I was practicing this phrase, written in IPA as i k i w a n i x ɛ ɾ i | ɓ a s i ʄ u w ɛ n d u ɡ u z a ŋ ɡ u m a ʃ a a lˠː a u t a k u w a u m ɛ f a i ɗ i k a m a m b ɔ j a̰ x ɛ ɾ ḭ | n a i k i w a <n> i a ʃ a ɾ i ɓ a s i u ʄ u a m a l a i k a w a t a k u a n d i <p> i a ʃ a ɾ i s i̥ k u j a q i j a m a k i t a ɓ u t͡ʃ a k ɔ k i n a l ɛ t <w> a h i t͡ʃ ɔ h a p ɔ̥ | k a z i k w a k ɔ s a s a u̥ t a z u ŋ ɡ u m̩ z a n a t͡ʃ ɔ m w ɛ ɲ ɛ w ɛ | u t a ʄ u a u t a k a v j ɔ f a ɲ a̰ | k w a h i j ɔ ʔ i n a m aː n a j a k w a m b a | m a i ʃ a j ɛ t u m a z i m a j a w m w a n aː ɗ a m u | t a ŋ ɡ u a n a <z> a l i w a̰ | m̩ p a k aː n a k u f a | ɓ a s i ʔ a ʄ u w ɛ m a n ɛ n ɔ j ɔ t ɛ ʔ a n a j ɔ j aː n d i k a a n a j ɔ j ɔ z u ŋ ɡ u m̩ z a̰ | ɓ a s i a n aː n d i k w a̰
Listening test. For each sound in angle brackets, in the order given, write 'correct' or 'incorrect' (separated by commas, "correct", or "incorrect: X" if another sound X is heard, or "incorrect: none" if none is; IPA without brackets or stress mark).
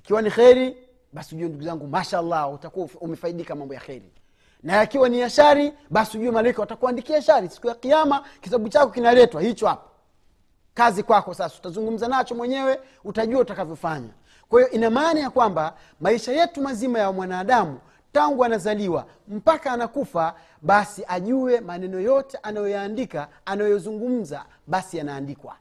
correct, incorrect: k, correct, correct